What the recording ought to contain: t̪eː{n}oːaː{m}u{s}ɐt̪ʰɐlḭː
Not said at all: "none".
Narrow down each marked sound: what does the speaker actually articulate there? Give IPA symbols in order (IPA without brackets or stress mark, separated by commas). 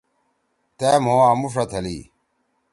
m, m, ʂ